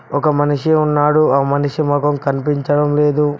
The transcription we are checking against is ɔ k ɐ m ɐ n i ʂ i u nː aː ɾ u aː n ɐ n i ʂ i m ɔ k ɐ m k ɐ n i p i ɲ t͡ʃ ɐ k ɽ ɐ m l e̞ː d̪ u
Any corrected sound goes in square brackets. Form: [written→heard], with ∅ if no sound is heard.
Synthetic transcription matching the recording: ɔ k ɐ m ɐ n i ʂ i u nː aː [ɾ→ɽ] u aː [n→m] ɐ n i ʂ i m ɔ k ɐ m k ɐ n i p i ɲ t͡ʃ ɐ [k→∅] ɽ ɐ m l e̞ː d̪ u